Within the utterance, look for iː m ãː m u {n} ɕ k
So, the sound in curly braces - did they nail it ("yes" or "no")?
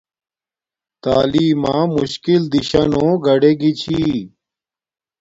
no